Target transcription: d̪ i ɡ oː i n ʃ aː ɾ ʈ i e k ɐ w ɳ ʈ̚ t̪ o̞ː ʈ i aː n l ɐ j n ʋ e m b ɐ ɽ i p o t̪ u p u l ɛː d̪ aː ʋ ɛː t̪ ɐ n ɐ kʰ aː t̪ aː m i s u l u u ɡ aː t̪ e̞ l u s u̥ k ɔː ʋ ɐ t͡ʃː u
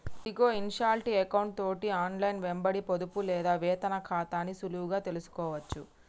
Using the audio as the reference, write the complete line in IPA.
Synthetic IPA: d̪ i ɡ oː i n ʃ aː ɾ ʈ i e k ɐ w ɳ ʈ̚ t̪ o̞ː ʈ i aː n l ɐ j n ʋ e m b ɐ ɽ i p o d̪ u p u l ɛː d̪ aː ʋ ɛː t̪ ɐ n ɐ kʰ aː t̪ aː n i s u l u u ɡ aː t̪ e̞ l u s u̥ k ɔː ʋ ɐ t͡ʃː u